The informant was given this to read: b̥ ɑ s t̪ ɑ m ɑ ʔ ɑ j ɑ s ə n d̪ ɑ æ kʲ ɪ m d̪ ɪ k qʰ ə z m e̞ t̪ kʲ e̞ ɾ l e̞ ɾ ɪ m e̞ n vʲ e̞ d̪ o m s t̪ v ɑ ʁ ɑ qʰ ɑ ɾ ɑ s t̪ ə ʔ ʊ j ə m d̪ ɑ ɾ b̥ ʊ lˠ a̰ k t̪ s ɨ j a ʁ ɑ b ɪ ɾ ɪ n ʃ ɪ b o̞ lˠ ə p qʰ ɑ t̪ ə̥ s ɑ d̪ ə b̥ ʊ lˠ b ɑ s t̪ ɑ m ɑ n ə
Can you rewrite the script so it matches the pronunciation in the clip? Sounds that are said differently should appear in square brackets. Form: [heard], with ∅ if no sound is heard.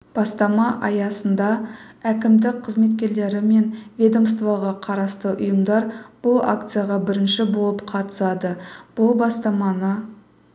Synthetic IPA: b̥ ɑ s t̪ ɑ m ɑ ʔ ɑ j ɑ s ə n d̪ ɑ æ kʲ ɪ m d̪ ɪ k qʰ ə z m e̞ t̪ kʲ e̞ ɾ l e̞ ɾ ɪ m e̞ n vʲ e̞ d̪ o m s t̪ v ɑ ʁ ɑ qʰ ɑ ɾ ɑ s t̪ ə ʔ ʊ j ə m d̪ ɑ ɾ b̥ ʊ lˠ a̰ k t̪ s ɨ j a ʁ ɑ b ɪ ɾ ɪ n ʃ ɪ b o̞ lˠ ə p qʰ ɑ t̪ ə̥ s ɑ d̪ ə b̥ ʊ lˠ b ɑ s t̪ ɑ m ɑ n ə

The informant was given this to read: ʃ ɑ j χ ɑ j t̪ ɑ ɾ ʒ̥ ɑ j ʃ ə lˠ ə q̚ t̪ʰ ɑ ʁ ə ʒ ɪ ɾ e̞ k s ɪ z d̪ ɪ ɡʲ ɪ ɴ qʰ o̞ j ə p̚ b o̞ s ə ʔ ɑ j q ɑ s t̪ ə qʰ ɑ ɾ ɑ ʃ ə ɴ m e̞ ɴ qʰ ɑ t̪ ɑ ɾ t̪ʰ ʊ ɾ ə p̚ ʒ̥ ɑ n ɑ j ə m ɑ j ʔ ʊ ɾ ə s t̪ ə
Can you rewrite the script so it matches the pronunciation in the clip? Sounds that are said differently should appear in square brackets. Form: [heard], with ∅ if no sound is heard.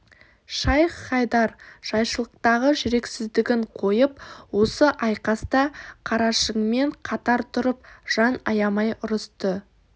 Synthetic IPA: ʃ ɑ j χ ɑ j [d̪] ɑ ɾ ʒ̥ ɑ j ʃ ə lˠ ə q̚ [t̪] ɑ ʁ ə ʒ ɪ ɾ e̞ k s ɪ z d̪ ɪ ɡʲ ɪ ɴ qʰ o̞ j ə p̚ [w] o̞ s ə ʔ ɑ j q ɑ s t̪ [ɑ] qʰ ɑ ɾ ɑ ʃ ə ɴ m e̞ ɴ qʰ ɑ t̪ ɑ ɾ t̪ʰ ʊ ɾ ə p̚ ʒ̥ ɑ n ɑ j [ɑ] m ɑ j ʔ ʊ ɾ ə s t̪ ə

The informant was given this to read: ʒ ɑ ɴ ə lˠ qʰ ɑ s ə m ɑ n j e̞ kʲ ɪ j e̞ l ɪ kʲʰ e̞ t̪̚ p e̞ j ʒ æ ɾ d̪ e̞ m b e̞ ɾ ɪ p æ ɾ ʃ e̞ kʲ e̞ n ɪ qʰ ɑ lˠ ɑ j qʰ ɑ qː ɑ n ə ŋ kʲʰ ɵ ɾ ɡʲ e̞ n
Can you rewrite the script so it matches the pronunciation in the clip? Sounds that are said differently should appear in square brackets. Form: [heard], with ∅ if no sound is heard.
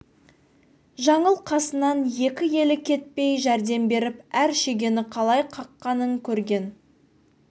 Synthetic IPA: ʒ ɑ ɴ ə lˠ qʰ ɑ s ə [n] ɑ n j e̞ kʲ ɪ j e̞ l ɪ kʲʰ e̞ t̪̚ p e̞ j ʒ æ ɾ d̪ e̞ m b e̞ ɾ ɪ p æ ɾ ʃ e̞ [ɡʲ] e̞ n ɪ qʰ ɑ lˠ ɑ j qʰ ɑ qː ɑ n ə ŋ kʲʰ ɵ ɾ ɡʲ e̞ n

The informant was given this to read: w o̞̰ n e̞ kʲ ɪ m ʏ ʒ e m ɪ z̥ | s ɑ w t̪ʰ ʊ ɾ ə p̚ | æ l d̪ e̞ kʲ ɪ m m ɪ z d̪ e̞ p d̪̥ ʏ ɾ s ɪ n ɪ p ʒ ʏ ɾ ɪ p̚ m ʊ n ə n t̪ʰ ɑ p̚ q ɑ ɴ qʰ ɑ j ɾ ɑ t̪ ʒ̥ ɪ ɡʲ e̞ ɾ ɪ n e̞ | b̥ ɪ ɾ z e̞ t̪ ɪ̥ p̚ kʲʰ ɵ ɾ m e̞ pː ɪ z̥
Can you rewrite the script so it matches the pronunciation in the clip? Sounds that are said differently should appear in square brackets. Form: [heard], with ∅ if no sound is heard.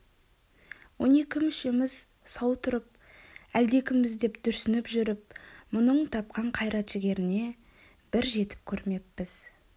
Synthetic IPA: w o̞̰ n e̞ kʲ ɪ m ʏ [ʃ] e m ɪ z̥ | s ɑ w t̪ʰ ʊ ɾ ə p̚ | æ l d̪ e̞ kʲ ɪ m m ɪ z d̪ e̞ p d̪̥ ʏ ɾ s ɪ n ɪ p ʒ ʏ ɾ ɪ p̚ m ʊ n ə [ɴ] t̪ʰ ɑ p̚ q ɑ ɴ qʰ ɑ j ɾ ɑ t̪ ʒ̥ ɪ ɡʲ e̞ ɾ ɪ n e̞ | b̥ ɪ ɾ [ʒ] e̞ t̪ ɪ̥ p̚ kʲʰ ɵ ɾ m e̞ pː ɪ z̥

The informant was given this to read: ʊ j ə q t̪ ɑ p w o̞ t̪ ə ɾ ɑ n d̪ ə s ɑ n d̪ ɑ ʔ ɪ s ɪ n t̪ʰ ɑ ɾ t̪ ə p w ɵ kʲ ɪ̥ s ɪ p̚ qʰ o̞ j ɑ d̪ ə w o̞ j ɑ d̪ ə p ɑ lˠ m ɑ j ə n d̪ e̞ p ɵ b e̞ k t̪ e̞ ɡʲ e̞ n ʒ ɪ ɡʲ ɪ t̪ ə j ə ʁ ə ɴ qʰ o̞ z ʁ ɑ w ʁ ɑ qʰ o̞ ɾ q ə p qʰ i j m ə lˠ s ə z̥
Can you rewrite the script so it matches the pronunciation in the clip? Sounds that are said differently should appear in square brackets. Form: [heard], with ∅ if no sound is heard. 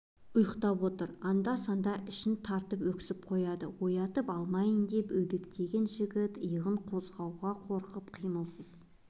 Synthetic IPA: ʊ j ə q t̪ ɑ p w o̞ t̪ ə ɾ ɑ n d̪ [ɑ] s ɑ n d̪ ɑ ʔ ɪ [ʃ] ɪ n t̪ʰ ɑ ɾ t̪ ə p w ɵ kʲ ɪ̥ s ɪ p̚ qʰ o̞ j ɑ d̪ ə w o̞ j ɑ [t̪] ə p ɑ lˠ m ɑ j ə n d̪ e̞ p ɵ b e̞ k t̪ e̞ ɡʲ e̞ n ʒ ɪ ɡʲ ɪ t̪ ə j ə ʁ ə ɴ qʰ o̞ z ʁ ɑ w ʁ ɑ qʰ o̞ ɾ q ə p qʰ i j m ə lˠ s ə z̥

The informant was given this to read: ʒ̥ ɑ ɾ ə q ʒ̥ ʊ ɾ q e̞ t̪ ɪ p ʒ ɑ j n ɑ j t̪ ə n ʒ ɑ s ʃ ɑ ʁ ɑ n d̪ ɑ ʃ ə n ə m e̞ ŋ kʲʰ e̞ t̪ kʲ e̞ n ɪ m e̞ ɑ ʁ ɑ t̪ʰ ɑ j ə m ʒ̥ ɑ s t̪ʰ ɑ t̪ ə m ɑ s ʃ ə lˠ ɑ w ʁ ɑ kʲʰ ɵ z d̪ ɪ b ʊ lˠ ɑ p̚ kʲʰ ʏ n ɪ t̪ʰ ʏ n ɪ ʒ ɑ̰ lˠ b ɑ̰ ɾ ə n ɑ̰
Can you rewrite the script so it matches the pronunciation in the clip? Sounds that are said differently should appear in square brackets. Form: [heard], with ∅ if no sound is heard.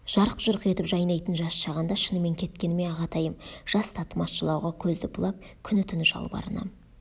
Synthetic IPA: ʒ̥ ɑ ɾ ə q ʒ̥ ʊ ɾ q e̞ t̪ ɪ p ʒ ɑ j n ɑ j t̪ ə n ʒ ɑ s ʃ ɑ ʁ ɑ n d̪ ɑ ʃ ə n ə m e̞ ŋ kʲʰ e̞ t̪ kʲ e̞ n ɪ m e̞ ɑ ʁ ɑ t̪ʰ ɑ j ə m ʒ̥ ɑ s t̪ʰ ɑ t̪ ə m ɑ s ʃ ə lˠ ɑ w ʁ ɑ kʲʰ ɵ z d̪ ɪ b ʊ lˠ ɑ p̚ kʲʰ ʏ n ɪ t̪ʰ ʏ n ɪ ʒ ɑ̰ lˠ b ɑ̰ ɾ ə n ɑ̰

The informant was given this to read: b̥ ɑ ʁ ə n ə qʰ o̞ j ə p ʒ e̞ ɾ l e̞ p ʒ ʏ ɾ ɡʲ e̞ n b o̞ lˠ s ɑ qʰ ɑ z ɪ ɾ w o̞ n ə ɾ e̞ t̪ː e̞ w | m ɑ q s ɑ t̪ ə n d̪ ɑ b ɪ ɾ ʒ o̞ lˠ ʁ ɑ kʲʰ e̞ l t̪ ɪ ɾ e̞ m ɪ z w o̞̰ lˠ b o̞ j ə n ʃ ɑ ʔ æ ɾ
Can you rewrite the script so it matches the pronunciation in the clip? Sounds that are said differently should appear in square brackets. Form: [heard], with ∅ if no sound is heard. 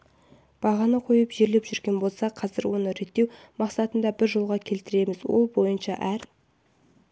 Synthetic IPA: b̥ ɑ ʁ [ɑ] n ə qʰ o̞ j ə p ʒ e̞ ɾ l e̞ p ʒ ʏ ɾ ɡʲ e̞ n b o̞ lˠ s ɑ qʰ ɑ z ɪ ɾ w o̞ n ə ɾ e̞ t̪ː e̞ w | m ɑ q s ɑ t̪ ə n d̪ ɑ b ɪ ɾ ʒ o̞ lˠ ʁ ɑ kʲʰ e̞ l t̪ ɪ ɾ e̞ m ɪ z w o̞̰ lˠ b o̞ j ə n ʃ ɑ ʔ æ ɾ

